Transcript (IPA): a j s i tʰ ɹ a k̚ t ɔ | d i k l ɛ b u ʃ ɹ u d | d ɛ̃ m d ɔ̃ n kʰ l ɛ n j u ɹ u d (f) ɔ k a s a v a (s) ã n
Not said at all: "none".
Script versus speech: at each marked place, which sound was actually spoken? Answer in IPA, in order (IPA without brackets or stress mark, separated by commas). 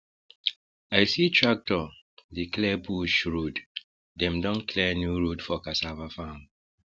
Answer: f, f